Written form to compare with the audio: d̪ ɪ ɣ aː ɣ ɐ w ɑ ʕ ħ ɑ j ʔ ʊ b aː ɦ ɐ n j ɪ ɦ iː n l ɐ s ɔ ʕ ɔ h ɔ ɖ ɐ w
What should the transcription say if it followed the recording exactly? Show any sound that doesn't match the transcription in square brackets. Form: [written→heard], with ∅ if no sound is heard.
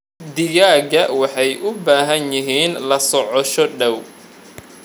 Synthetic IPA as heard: d̪ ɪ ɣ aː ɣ ɐ w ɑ [ʕ→∅] ħ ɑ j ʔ ʊ b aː ɦ ɐ n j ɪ ɦ iː n l ɐ s ɔ ʕ ɔ [h→ʃ] ɔ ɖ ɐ w